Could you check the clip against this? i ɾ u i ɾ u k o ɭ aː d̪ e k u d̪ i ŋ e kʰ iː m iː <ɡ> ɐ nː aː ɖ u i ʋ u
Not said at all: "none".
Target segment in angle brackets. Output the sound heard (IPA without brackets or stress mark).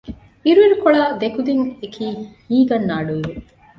ɡ